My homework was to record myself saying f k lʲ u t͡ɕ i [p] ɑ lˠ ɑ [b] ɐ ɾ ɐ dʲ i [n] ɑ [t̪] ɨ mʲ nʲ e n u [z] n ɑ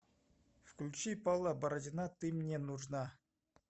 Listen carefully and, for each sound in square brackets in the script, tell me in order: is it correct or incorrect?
correct, correct, correct, correct, incorrect: ʐ

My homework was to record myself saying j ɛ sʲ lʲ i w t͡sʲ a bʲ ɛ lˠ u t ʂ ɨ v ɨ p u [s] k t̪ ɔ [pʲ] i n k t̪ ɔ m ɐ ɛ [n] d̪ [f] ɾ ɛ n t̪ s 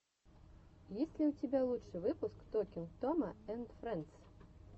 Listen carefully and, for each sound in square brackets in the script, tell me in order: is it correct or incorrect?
correct, incorrect: kʲ, correct, correct

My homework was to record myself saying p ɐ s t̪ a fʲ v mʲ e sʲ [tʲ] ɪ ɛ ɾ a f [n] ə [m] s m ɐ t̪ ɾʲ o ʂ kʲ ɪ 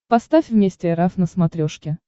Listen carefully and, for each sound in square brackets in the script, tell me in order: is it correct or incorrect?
correct, correct, incorrect: none

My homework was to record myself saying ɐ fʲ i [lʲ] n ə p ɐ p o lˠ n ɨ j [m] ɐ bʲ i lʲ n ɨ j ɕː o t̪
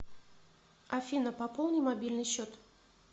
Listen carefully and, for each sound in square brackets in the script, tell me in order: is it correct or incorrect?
incorrect: none, correct

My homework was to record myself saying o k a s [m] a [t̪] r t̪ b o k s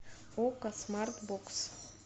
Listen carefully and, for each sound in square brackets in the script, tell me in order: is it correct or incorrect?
correct, incorrect: none

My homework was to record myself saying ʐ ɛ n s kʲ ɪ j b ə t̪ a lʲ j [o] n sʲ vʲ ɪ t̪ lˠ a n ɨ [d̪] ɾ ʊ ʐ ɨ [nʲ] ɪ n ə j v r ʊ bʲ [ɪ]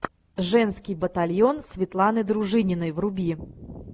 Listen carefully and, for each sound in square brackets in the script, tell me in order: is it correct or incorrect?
correct, correct, correct, incorrect: i

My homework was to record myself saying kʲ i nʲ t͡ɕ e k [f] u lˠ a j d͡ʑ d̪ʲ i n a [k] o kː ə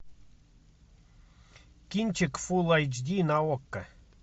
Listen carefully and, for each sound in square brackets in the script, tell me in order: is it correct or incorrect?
correct, incorrect: none

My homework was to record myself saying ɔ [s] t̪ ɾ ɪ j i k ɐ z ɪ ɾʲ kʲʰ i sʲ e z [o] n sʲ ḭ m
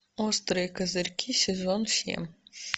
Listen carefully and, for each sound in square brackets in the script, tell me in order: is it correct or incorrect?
correct, incorrect: ɔ

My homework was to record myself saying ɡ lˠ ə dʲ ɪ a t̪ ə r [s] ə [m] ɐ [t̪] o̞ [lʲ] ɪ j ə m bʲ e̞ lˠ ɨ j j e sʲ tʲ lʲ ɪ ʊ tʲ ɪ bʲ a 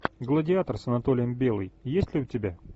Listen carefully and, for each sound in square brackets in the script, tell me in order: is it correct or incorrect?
correct, incorrect: n, correct, correct

